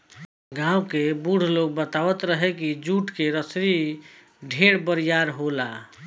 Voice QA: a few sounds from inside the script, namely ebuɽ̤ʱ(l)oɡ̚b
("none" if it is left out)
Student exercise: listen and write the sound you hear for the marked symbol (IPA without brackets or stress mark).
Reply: l